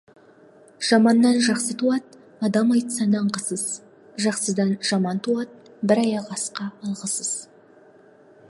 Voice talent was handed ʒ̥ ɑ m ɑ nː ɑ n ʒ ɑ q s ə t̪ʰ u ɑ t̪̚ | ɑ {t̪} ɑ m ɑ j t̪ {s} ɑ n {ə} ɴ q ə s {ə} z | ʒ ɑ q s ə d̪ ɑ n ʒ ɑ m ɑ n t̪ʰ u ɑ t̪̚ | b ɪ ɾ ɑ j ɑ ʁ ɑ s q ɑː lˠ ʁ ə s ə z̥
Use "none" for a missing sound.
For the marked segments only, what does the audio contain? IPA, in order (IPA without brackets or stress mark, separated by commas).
d̪, s, ɑ, ə